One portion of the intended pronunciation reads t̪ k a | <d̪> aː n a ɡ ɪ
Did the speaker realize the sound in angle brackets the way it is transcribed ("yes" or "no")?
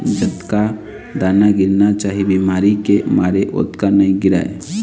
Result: yes